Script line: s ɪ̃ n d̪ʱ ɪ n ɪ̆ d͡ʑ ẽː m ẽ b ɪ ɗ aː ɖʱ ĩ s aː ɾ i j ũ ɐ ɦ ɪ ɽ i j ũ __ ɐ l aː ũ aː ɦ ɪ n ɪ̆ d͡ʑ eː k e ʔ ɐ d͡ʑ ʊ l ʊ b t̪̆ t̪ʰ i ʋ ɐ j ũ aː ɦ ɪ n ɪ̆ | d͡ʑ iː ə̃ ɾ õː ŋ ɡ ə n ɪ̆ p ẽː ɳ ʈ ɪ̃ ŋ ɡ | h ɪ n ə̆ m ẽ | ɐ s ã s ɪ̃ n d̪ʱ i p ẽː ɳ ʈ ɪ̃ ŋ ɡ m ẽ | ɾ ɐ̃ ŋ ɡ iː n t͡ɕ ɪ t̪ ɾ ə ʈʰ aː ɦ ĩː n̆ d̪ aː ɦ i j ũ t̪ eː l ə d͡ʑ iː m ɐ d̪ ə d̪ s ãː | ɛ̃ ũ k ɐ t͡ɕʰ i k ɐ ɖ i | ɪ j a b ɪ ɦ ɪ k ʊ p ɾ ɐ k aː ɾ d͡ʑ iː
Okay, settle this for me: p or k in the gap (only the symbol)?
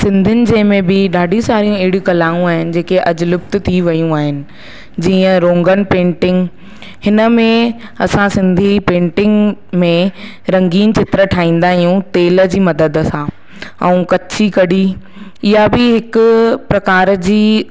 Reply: k